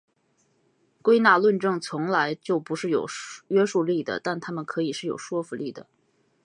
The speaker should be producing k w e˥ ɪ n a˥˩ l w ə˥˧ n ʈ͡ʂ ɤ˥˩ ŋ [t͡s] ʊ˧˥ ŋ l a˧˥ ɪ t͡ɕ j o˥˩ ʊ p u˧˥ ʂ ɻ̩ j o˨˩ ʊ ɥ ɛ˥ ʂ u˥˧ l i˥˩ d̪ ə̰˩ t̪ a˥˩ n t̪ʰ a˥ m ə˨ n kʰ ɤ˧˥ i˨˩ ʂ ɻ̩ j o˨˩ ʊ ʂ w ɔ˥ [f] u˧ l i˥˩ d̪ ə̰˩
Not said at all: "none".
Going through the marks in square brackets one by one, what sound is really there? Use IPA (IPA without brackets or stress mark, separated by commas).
t͡sʰ, f